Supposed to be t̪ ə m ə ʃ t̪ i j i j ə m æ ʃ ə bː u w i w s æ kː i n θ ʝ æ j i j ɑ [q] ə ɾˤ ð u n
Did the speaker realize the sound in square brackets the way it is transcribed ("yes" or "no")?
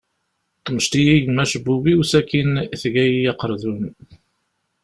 yes